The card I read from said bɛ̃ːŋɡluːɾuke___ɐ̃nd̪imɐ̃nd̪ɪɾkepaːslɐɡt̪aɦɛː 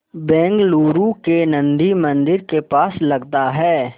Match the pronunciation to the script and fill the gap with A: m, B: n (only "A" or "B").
B